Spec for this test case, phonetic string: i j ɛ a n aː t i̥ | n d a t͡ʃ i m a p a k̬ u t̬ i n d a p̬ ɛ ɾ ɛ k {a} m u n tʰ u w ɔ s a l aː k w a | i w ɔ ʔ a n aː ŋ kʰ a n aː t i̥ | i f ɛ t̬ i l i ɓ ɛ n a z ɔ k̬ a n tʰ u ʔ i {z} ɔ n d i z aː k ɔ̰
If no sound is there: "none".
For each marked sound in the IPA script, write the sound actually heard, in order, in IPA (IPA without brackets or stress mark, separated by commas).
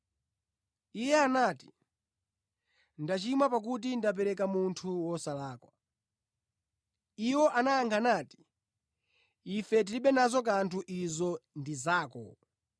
a, z